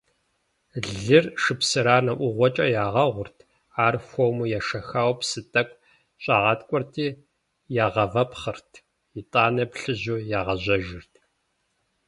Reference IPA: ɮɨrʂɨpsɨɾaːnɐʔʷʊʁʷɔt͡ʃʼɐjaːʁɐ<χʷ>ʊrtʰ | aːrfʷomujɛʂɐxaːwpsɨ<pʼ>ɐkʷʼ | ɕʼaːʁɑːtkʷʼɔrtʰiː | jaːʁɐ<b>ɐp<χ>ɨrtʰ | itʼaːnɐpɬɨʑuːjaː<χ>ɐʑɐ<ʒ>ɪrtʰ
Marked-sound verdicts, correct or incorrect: incorrect, incorrect, incorrect, correct, incorrect, correct

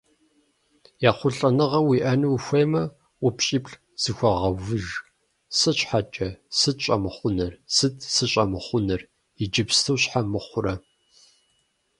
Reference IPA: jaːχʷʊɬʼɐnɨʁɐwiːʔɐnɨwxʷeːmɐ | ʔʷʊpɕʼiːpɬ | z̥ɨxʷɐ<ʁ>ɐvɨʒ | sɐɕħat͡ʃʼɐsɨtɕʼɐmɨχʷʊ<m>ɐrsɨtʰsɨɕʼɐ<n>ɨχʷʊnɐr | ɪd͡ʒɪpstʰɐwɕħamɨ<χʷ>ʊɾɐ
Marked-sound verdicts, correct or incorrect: correct, incorrect, incorrect, correct

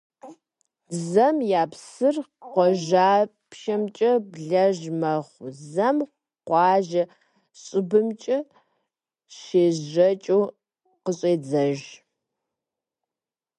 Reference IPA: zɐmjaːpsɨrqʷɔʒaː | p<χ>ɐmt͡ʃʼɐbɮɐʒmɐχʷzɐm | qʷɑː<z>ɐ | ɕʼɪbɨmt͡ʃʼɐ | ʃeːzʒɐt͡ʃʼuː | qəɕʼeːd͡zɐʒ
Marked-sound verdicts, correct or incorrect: incorrect, incorrect

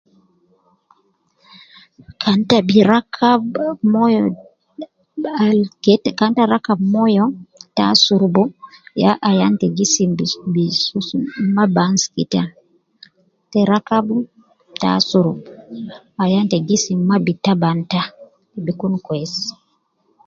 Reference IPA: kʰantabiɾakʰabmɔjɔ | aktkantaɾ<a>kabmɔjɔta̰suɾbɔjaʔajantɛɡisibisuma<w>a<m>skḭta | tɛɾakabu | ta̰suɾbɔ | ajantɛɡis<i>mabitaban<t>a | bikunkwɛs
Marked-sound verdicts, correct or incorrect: correct, incorrect, incorrect, correct, correct

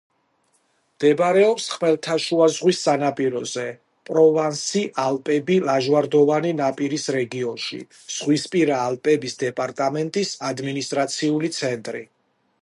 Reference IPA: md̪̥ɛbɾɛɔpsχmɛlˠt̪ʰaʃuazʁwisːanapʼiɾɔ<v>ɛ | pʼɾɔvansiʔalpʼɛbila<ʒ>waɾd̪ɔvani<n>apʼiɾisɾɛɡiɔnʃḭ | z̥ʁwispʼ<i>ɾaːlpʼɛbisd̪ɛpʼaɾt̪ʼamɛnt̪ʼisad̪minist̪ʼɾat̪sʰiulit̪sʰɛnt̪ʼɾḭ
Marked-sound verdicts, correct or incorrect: incorrect, correct, correct, correct

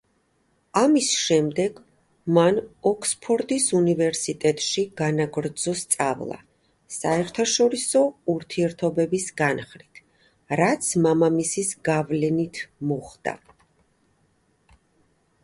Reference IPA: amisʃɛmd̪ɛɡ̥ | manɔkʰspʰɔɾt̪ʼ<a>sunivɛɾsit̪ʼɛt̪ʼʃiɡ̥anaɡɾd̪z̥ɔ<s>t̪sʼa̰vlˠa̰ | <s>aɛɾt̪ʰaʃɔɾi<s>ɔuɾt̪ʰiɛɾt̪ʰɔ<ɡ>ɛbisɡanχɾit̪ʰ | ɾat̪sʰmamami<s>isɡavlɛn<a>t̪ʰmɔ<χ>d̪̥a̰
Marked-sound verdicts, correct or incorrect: incorrect, correct, correct, correct, incorrect, correct, incorrect, correct

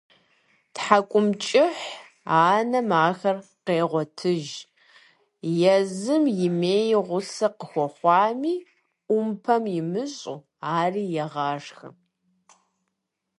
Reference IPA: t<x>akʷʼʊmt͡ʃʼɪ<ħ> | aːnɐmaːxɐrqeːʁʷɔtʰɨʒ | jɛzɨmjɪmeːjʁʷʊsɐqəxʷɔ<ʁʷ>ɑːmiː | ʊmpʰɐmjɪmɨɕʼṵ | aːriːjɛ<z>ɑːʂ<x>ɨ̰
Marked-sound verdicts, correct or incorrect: incorrect, correct, incorrect, incorrect, correct

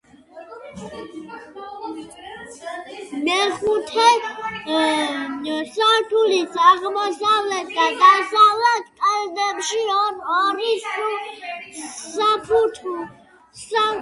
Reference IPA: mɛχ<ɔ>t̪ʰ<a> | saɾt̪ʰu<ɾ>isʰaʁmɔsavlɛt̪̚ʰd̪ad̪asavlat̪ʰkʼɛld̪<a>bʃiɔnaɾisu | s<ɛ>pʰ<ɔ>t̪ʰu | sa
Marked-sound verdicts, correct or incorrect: incorrect, incorrect, incorrect, incorrect, incorrect, incorrect

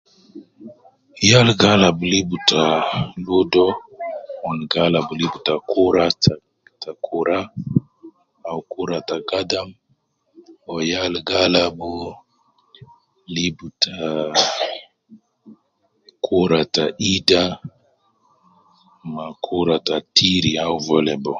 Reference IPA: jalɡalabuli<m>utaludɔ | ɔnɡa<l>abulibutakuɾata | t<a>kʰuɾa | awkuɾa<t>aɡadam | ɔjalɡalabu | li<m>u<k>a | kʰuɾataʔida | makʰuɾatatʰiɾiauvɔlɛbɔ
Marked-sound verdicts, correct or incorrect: incorrect, correct, correct, correct, incorrect, incorrect

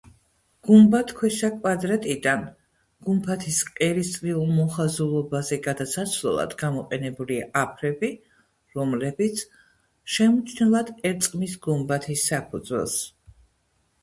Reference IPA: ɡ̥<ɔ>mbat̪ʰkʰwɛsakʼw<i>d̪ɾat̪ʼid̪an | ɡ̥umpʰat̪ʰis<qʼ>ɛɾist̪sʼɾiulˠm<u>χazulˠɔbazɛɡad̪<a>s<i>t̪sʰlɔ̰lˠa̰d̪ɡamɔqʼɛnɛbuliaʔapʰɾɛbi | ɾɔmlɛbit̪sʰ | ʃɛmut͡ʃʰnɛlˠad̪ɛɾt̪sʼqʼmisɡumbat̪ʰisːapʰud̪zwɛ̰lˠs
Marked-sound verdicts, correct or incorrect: incorrect, incorrect, correct, incorrect, correct, incorrect

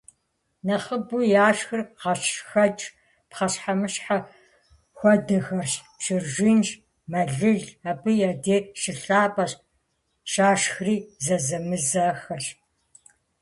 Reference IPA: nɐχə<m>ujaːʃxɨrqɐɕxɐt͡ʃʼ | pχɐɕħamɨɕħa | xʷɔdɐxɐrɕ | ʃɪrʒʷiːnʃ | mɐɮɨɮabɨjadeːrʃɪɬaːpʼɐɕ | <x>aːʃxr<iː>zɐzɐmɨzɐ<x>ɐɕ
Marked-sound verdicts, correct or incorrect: incorrect, incorrect, correct, correct

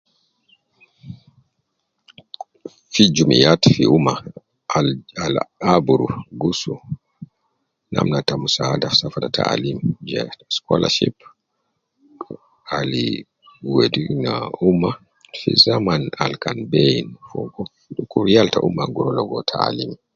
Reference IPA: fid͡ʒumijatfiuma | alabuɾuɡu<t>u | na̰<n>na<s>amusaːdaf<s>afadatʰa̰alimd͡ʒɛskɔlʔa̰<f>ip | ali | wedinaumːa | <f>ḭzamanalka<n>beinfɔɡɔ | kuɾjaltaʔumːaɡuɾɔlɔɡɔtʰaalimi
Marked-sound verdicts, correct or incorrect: incorrect, incorrect, incorrect, correct, incorrect, correct, correct

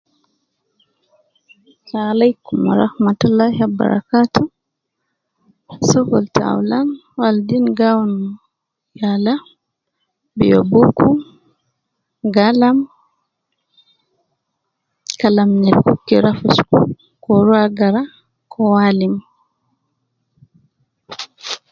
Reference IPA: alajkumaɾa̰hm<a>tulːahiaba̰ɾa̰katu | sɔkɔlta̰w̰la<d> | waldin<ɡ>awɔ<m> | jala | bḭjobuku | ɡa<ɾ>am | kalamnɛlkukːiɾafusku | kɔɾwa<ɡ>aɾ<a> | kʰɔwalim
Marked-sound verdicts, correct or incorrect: correct, incorrect, correct, incorrect, incorrect, correct, correct

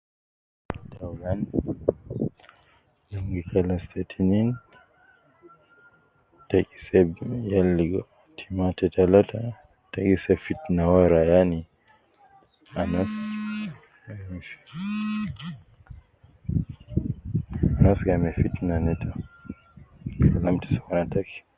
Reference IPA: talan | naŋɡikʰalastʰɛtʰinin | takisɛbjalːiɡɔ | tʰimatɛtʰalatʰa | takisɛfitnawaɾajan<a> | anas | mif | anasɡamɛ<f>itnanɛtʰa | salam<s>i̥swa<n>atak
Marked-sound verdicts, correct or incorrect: incorrect, correct, incorrect, correct

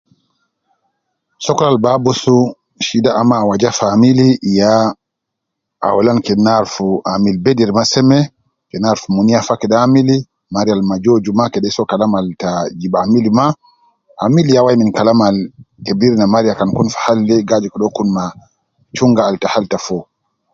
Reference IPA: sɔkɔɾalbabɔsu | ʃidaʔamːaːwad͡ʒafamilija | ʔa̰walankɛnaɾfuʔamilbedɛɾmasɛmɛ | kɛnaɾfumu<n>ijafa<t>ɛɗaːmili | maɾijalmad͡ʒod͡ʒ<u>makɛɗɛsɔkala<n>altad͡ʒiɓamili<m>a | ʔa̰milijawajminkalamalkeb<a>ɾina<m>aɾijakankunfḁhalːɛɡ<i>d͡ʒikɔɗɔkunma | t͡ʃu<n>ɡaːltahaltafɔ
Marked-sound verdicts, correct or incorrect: correct, incorrect, correct, incorrect, correct, incorrect, correct, incorrect, incorrect

